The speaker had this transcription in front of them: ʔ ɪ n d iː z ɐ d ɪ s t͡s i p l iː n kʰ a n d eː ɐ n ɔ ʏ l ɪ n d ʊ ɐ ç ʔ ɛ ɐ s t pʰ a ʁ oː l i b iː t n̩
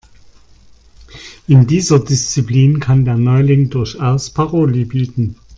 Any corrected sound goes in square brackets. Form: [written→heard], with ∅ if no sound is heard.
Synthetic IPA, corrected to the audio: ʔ ɪ n d iː z ɐ d ɪ s t͡s i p l iː n kʰ a n d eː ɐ n ɔ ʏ l ɪ [n→ŋ] d ʊ ɐ ç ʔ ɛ ɐ s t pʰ a ʁ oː l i b iː t n̩